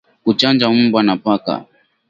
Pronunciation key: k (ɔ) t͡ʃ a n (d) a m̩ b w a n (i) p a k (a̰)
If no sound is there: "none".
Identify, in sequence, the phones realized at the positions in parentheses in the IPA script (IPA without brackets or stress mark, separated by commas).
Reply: u, d͡ʒ, a, a̰